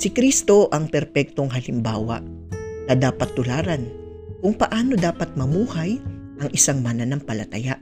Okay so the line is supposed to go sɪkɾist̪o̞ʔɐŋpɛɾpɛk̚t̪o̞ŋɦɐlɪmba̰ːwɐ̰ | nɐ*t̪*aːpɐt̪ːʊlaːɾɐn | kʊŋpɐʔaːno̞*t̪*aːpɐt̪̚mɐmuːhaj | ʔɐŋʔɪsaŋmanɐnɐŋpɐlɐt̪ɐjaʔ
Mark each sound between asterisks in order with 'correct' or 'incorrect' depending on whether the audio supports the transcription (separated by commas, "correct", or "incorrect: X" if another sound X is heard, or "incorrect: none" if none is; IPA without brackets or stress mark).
incorrect: d̪, incorrect: d̪